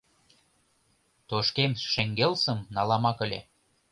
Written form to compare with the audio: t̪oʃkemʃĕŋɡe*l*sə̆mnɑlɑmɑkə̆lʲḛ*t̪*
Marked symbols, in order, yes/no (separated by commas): yes, no